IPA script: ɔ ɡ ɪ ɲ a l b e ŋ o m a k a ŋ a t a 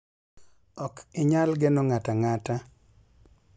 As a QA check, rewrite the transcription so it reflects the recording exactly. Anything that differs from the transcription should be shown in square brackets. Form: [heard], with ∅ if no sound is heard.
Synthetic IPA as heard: ɔ [k] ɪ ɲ a l [ɡ] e [n] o [ŋ] a [t] a ŋ a t a

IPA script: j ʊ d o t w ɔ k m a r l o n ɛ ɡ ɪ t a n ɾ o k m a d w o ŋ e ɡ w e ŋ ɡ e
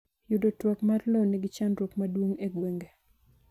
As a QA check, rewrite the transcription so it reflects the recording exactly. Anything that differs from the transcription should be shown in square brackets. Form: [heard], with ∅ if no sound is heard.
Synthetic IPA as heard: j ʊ d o t w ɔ k m a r l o n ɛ ɡ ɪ [t͡ʃ] a n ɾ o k m a d w o ŋ e ɡ w e ŋ ɡ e

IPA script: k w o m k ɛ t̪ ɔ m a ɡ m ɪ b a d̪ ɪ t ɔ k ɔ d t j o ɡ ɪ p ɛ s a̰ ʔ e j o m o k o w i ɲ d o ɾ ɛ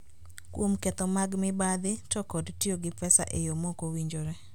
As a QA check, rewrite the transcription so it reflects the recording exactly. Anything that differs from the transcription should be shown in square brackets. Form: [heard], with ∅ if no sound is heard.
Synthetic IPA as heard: k w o m k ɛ t̪ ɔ m a ɡ m ɪ b a d̪ ɪ t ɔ k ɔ d t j o ɡ ɪ p ɛ s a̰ ʔ e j o m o k o w i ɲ [d͡ʒ] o ɾ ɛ

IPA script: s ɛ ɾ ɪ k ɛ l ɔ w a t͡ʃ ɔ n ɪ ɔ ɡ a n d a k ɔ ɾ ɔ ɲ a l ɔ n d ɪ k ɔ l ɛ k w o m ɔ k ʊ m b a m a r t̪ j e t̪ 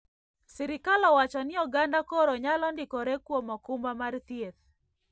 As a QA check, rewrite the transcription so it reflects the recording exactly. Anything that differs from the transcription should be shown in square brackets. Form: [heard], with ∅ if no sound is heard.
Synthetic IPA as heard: s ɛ ɾ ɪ k [a] l ɔ w a t͡ʃ ɔ n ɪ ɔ ɡ a n d a k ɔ ɾ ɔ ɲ a l ɔ n d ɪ k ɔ [ɾ] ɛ k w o m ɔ k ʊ m b a m a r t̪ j e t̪

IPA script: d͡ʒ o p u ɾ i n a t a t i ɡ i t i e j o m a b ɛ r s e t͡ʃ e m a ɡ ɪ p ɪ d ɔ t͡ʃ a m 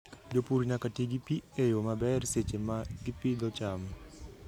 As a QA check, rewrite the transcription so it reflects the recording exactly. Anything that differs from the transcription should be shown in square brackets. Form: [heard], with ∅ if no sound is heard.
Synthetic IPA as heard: d͡ʒ o p u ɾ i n a [k] a t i ɡ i [p] i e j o m a b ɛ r s e t͡ʃ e m a ɡ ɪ p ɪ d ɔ t͡ʃ a m

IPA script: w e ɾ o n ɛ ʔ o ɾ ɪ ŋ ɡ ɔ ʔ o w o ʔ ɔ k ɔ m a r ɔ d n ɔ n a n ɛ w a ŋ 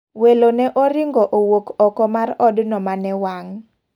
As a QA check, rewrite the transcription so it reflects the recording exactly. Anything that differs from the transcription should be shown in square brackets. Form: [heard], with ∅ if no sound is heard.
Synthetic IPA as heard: w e [l] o n ɛ ʔ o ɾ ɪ ŋ ɡ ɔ ʔ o w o [k] ɔ k ɔ m a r ɔ d n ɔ [m] a n ɛ w a ŋ

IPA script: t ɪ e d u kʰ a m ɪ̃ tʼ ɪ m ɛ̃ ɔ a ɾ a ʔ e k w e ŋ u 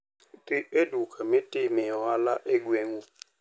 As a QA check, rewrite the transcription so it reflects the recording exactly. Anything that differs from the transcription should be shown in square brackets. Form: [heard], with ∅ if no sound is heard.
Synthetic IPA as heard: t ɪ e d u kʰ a m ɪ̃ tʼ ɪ m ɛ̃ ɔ a [l] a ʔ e [ɡ] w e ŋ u

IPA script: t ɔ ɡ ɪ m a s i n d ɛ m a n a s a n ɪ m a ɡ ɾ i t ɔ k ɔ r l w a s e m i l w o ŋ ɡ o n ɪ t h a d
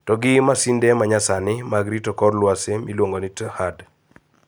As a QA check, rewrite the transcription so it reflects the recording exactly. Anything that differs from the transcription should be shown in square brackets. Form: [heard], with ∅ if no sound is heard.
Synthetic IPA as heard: t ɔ ɡ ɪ m a s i n d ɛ m a [ɲ] a s a n ɪ m a ɡ ɾ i t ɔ k ɔ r l w a s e m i l w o ŋ ɡ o n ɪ t h a d

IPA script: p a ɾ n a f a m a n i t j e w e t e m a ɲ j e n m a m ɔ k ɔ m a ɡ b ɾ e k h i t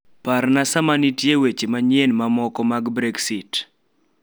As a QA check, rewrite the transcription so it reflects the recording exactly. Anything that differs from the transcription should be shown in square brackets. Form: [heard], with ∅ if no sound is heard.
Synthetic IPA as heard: p a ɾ n a [s] a m a n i t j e w e [t͡ʃ] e m a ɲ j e n m a m ɔ k ɔ m a ɡ b ɾ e k [s] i t

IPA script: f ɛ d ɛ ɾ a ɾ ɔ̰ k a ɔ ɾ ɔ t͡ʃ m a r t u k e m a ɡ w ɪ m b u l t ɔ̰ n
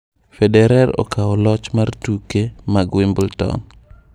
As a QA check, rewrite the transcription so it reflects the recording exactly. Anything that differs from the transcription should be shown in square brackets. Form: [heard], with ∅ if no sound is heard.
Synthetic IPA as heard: f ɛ d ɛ ɾ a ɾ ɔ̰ k a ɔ [l] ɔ t͡ʃ m a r t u k e m a ɡ w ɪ m b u l t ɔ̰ n

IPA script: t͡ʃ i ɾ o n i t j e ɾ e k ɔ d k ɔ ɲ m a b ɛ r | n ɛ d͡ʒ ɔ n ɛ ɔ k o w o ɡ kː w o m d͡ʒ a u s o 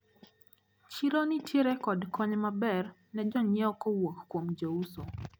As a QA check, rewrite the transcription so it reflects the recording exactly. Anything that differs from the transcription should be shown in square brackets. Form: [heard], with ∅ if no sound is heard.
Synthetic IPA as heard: t͡ʃ i ɾ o n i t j e ɾ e k ɔ d k ɔ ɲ m a b ɛ r | n ɛ d͡ʒ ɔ [ɲ] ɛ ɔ k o w o [k] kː w o m d͡ʒ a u s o

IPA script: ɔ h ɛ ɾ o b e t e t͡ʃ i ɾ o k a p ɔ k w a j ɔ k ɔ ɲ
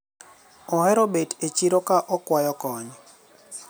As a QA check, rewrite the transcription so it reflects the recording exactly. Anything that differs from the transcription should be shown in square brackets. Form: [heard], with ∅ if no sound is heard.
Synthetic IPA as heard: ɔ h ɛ ɾ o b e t e t͡ʃ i ɾ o k a [ʔ] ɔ k w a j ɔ k ɔ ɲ

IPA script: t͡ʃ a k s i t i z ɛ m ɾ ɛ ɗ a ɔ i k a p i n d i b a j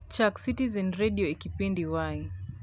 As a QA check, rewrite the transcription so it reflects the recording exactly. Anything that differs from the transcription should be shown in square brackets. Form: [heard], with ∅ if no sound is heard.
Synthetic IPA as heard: t͡ʃ a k s i t i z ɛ [n] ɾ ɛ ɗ [i] ɔ i k [i] p i n d i [w] a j

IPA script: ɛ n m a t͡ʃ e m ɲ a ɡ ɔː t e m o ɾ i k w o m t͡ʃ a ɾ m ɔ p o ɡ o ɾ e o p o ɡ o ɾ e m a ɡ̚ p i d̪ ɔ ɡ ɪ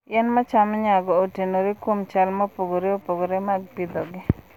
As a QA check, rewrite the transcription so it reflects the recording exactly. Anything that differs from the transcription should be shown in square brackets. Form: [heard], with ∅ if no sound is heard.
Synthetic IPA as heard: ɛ n m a t͡ʃ [a] m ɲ a ɡ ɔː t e [n] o ɾ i k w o m t͡ʃ a [l] m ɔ p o ɡ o ɾ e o p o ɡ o ɾ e m a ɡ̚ p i d̪ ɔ ɡ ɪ

